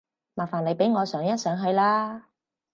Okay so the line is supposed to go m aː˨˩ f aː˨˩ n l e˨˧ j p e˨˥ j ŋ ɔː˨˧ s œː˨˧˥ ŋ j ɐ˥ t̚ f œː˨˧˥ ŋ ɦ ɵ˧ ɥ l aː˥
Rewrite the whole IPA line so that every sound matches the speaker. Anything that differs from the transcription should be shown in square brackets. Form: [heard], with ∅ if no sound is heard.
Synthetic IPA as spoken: m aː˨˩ f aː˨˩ n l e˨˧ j p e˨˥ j ŋ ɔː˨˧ s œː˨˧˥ ŋ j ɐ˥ t̚ [s] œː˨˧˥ ŋ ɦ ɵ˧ ɥ l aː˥